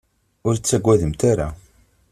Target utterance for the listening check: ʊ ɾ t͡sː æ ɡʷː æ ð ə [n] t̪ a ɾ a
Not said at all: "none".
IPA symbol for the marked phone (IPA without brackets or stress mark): m